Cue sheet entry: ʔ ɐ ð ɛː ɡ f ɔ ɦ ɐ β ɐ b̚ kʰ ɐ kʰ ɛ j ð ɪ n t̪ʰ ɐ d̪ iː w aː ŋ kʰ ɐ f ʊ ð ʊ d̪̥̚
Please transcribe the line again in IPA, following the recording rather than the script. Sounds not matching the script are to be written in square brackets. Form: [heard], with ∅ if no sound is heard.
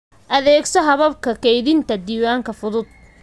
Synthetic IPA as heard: ʔ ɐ ð ɛː ɡ [s] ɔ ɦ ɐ β ɐ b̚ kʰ ɐ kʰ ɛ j ð ɪ n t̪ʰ ɐ d̪ iː w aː ŋ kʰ ɐ f ʊ ð ʊ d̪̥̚